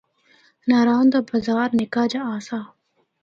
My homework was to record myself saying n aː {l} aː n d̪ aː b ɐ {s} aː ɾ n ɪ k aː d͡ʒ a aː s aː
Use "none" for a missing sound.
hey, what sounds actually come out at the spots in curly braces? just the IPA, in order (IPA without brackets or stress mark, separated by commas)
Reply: ɾ, z